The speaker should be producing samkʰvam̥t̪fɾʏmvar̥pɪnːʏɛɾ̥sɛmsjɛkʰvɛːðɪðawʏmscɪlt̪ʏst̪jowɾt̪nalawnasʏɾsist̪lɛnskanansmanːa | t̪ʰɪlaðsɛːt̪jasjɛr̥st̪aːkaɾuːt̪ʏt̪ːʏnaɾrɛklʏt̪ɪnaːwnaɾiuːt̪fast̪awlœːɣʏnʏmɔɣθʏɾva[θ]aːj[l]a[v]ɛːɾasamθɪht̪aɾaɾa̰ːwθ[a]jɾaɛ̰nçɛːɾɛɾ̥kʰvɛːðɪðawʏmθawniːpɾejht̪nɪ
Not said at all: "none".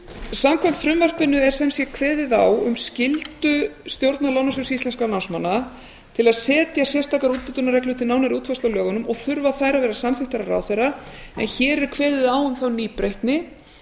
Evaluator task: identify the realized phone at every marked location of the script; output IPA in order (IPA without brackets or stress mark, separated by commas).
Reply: θ, ɾ, v, e